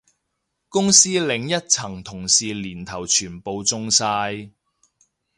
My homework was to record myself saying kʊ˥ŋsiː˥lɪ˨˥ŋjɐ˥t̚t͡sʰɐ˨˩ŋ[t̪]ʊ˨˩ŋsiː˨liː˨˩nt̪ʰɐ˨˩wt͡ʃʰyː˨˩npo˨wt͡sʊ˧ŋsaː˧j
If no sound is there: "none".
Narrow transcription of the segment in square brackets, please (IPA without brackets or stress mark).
t̪ʰ